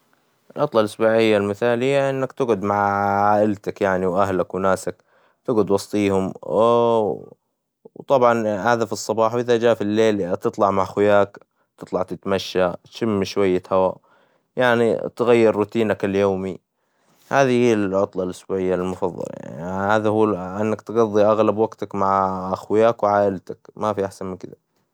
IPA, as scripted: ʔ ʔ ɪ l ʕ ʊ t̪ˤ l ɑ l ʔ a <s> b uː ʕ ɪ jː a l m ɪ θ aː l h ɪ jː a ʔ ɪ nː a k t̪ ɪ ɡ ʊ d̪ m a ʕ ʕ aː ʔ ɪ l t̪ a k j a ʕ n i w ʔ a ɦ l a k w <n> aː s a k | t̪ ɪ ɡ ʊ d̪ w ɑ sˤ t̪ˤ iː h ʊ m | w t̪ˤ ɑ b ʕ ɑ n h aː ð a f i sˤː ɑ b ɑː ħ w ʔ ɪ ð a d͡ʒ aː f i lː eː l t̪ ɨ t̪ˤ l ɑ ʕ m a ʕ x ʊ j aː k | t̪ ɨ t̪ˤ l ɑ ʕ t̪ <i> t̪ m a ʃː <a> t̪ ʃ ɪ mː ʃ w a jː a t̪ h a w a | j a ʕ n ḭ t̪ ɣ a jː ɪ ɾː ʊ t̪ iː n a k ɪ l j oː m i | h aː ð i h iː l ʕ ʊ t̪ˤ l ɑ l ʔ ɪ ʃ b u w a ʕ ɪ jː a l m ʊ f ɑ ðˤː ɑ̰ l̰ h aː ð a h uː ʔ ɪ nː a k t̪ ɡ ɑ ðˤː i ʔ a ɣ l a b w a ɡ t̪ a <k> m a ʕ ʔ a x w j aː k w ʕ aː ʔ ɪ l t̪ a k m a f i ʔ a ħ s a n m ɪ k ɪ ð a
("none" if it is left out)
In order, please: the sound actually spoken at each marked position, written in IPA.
s, n, ɪ, a, k

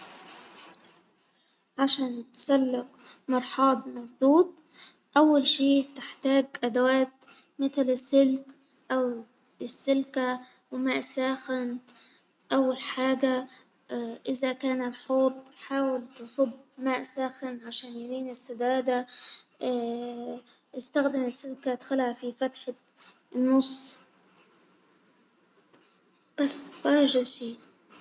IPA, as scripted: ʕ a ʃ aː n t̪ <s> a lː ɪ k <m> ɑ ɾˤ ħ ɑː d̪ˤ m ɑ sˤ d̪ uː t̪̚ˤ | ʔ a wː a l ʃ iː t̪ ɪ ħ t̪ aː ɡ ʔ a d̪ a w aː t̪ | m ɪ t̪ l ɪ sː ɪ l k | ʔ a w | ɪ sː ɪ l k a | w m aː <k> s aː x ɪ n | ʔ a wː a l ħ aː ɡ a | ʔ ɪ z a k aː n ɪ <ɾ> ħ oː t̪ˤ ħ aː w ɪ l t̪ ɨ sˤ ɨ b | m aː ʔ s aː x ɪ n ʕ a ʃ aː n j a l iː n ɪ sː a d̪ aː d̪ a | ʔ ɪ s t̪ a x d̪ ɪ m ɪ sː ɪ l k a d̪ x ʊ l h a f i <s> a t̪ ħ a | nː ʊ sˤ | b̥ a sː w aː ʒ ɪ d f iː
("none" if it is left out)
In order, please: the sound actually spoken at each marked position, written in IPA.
s, m, ʔ, l, f

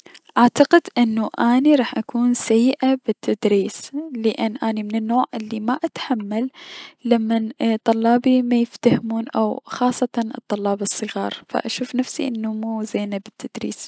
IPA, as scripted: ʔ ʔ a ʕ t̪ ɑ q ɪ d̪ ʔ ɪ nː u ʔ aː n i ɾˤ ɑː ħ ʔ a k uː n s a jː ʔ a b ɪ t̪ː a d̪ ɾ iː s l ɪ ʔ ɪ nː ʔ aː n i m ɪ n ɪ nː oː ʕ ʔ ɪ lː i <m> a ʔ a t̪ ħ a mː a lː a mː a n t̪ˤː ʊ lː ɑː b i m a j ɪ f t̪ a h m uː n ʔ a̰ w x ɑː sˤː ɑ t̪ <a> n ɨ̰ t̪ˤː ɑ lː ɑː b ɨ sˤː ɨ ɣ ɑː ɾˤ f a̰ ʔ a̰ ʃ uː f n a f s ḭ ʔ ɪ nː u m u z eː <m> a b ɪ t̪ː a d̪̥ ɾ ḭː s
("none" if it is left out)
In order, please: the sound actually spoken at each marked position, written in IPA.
m, ɑ, n

